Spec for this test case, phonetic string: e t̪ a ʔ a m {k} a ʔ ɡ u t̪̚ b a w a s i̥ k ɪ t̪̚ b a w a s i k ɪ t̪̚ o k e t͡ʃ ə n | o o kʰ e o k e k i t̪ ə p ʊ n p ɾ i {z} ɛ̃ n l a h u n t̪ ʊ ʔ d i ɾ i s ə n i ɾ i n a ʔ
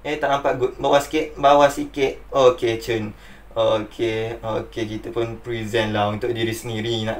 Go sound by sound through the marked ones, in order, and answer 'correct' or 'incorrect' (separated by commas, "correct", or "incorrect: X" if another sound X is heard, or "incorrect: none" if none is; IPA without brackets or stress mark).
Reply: incorrect: p, correct